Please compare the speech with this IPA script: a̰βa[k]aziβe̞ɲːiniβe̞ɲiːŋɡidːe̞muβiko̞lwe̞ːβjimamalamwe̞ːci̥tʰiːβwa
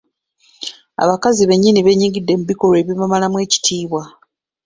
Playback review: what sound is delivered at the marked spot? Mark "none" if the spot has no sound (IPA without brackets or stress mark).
k